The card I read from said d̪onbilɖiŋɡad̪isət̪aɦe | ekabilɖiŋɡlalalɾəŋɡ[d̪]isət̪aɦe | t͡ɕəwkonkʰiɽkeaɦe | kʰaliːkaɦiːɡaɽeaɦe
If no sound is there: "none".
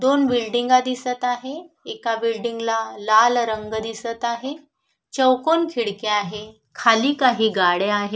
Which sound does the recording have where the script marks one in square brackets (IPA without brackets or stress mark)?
d̪